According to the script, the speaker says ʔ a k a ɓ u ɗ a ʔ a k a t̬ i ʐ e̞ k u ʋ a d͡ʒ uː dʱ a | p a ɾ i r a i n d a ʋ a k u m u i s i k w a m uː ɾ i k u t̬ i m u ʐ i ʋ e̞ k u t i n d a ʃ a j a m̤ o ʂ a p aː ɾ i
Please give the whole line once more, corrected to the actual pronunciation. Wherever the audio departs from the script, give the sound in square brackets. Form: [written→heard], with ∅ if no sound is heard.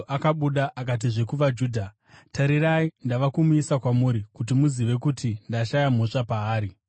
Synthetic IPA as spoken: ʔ a k a ɓ u ɗ a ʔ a k a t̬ i ʐ e̞ k u ʋ a d͡ʒ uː dʱ a | [p→t] a ɾ i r a i n d a ʋ a k u m u i s [i→a] k w a m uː ɾ i k u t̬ i m u [ʐ→z] i ʋ e̞ k u t i n d a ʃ a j a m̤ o ʂ a p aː ɾ i